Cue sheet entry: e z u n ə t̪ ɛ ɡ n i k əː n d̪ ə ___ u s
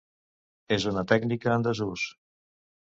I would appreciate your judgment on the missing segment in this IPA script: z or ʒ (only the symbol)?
z